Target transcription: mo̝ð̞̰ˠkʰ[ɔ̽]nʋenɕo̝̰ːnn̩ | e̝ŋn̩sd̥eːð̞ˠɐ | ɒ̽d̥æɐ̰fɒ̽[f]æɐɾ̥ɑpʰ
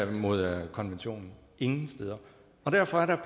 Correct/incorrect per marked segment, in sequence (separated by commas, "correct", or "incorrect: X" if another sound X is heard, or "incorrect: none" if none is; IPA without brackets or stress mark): incorrect: ɒ̽, incorrect: none